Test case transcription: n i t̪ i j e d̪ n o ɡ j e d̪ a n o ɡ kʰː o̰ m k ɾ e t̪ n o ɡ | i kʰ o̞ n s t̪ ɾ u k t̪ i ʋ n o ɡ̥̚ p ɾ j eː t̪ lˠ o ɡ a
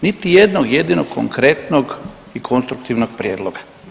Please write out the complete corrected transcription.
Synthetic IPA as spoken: n i t̪ i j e d̪ n o ɡ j e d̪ i n o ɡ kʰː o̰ ŋ k ɾ e t̪ n o ɡ | i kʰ o̞ n s t̪ ɾ u k t̪ i ʋ n o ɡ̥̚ p ɾ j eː d̪ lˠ o ɡ a